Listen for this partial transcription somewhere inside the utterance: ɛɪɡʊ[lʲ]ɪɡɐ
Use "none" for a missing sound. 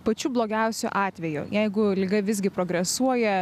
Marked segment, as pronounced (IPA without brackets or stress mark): lʲ